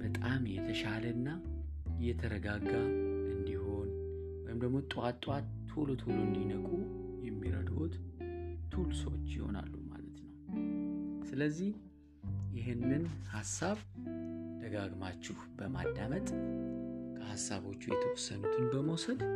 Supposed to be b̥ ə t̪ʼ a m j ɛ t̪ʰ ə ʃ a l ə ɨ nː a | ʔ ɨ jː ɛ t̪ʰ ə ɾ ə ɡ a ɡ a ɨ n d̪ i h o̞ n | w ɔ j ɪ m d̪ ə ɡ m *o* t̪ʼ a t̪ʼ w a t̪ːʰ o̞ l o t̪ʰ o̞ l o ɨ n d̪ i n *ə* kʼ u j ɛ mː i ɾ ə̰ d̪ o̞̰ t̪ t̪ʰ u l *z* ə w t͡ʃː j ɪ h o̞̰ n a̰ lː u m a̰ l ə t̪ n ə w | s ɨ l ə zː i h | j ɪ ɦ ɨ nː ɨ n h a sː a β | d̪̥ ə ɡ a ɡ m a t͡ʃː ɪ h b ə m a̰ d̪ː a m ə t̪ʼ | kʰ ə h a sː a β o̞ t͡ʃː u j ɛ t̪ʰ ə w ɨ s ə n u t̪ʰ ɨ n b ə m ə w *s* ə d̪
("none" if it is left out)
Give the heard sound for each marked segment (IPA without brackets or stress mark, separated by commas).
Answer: o, ə, s, s